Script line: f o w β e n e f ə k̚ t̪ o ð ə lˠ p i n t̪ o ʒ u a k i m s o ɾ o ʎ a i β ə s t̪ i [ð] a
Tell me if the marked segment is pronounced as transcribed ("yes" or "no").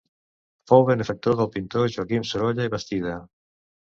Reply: yes